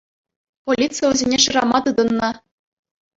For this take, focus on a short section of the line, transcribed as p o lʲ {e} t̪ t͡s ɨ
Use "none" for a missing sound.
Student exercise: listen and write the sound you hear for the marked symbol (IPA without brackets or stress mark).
i